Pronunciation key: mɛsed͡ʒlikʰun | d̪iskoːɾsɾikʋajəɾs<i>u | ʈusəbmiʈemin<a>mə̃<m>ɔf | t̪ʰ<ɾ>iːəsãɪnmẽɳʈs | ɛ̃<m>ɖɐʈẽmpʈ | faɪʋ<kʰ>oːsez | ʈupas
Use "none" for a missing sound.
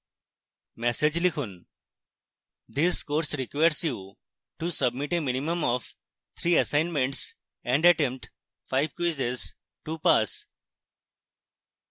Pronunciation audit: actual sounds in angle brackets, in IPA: j, i, m, ɾ, ɳ, k

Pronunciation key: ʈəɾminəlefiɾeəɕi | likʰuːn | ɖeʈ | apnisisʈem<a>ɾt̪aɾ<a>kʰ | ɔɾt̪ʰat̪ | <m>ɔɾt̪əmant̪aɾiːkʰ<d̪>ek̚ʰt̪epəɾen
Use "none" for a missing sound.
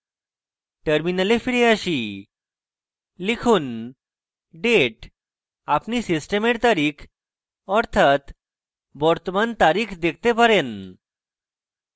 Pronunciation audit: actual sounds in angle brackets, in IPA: e, i, b, d̪

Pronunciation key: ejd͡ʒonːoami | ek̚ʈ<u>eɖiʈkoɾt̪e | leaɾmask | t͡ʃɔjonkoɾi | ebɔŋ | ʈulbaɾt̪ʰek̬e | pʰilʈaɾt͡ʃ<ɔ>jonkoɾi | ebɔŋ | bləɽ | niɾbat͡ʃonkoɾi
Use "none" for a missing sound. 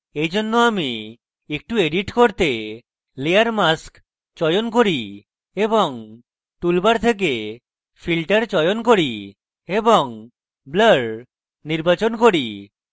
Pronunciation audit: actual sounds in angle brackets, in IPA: u, ɔ

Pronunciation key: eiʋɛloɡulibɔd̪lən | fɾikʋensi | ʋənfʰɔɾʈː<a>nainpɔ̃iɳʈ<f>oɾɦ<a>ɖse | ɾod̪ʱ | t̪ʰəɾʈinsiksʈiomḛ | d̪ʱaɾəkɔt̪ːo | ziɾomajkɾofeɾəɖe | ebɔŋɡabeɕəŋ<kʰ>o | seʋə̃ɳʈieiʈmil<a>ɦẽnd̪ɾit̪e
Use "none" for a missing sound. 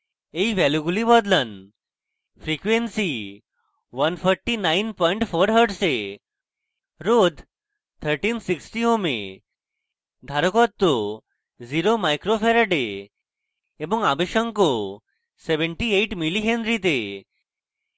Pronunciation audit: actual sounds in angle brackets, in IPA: i, f, ə, k, i

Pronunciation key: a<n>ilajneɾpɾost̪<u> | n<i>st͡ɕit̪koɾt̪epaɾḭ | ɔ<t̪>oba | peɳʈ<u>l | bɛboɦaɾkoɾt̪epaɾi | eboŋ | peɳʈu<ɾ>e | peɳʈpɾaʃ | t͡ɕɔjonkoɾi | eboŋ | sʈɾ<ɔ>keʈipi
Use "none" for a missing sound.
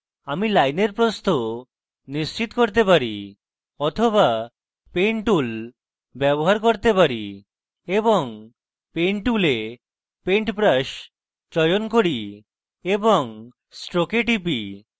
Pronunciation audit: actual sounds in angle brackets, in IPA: m, o, i, t̪ʰ, u, l, o

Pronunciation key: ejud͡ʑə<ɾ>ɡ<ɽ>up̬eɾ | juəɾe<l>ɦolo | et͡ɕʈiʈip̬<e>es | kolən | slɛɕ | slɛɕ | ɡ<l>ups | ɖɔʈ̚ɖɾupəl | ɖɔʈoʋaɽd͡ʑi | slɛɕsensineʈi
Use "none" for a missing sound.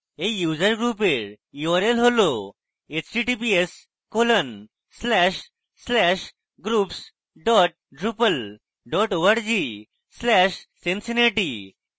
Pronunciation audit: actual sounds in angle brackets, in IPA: ɾ, ɾ, l, i, ɾ

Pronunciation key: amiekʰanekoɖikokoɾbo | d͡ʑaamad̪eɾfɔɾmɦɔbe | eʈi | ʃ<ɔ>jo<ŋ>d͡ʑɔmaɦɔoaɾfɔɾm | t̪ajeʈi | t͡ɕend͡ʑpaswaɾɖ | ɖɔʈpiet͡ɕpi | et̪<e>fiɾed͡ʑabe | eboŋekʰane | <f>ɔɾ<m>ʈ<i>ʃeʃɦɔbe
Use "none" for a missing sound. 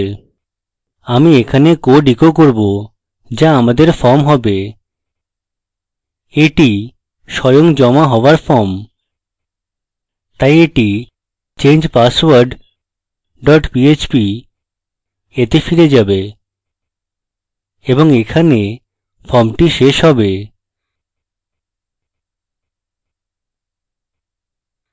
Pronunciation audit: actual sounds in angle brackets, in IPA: ɔ, ŋ, e, f, m, i

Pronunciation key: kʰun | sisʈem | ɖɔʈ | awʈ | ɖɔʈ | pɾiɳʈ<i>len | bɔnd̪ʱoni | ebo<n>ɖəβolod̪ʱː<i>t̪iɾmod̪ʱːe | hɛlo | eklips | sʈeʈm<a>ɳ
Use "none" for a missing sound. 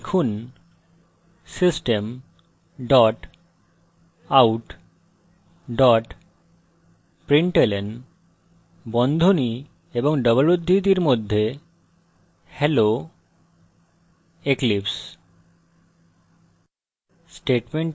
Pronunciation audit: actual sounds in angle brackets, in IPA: e, ŋ, i, e

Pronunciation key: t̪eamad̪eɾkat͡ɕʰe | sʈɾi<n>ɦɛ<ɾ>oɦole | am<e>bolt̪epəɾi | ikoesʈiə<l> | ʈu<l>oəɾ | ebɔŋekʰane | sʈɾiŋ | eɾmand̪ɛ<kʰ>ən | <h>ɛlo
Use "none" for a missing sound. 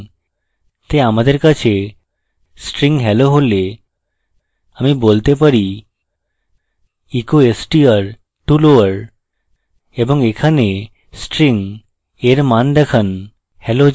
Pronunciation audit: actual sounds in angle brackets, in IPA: ŋ, l, i, ɾ, l, kʰ, h

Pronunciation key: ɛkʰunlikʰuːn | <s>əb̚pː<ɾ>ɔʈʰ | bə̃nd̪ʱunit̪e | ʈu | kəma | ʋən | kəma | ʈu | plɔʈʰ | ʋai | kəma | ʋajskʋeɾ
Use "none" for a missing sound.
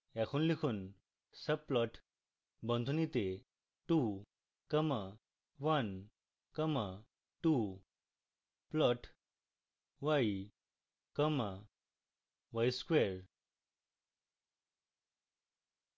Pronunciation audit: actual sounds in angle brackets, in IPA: s, l

